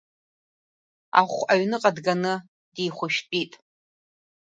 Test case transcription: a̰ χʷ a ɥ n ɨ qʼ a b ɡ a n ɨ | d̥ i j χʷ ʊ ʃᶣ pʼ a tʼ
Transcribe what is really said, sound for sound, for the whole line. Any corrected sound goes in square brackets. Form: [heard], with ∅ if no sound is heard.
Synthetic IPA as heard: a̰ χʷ a ɥ n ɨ qʼ a [d] ɡ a n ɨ | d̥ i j χʷ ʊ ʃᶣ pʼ [i] tʼ